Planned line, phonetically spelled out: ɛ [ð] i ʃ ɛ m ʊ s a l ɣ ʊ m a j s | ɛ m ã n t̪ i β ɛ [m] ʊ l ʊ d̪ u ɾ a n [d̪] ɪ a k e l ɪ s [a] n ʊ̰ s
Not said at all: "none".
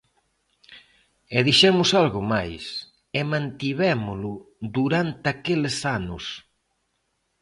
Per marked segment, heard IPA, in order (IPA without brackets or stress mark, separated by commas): ð, m, t̪, a